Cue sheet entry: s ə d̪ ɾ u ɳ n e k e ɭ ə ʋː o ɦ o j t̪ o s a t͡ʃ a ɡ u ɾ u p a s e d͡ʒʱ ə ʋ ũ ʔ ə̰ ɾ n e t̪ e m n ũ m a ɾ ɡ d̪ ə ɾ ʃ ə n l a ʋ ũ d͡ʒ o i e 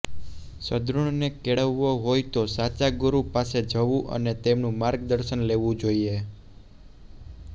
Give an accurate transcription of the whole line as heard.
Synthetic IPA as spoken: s ə d̪ ɾ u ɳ n e k e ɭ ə ʋː o ɦ o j t̪ o s a t͡ʃ a ɡ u ɾ u p a s e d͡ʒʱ ə ʋ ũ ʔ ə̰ n e t̪ e m n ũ m a ɾ ɡ d̪ ə ɾ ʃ ə n l e ʋ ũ d͡ʒ o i e